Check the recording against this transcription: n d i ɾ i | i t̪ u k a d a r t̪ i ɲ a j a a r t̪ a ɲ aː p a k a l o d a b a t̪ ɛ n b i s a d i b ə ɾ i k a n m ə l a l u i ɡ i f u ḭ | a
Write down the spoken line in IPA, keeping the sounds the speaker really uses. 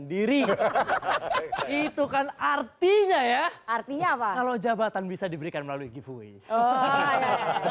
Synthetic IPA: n d i ɾ i | i t̪ u k a n a r t̪ i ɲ a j a a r t̪ i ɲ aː p a k a l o d͡ʒ a b a t̪ a n b i s a d i b ə ɾ i k a n m ə l a l u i ɡ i f u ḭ | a